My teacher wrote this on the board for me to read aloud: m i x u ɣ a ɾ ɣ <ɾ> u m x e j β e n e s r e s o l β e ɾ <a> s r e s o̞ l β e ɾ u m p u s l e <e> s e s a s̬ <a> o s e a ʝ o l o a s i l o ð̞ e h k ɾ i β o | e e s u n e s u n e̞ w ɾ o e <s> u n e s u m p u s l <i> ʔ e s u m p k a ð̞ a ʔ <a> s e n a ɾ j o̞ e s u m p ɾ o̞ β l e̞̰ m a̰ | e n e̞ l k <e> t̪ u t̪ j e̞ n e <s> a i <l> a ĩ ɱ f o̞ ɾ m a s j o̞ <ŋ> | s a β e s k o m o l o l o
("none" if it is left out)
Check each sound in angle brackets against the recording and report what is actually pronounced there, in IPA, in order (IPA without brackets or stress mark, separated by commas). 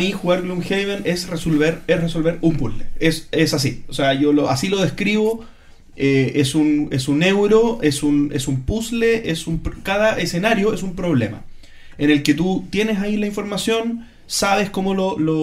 l, e, e, i, s, e, e, e, s, l, n